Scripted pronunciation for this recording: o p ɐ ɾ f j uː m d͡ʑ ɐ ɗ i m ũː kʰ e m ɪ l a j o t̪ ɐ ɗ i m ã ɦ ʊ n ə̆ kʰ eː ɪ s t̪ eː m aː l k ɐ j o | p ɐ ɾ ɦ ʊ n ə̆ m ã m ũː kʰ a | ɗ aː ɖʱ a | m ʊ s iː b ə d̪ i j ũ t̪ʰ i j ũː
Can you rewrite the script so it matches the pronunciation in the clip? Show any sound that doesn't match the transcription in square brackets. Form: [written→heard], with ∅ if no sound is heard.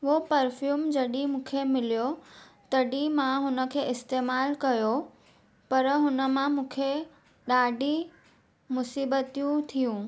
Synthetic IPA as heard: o p ɐ ɾ f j uː m d͡ʑ ɐ ɗ i m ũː kʰ e m ɪ l [a→i] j o t̪ ɐ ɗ i m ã ɦ ʊ n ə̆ kʰ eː ɪ s t̪ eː m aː l k ɐ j o | p ɐ ɾ ɦ ʊ n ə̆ m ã m ũː kʰ [a→e] | ɗ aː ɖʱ [a→i] | m ʊ s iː b ə [d̪→t̪] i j ũ t̪ʰ i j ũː